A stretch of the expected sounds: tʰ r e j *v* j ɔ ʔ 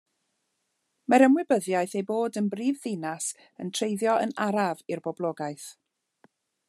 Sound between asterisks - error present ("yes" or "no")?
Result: yes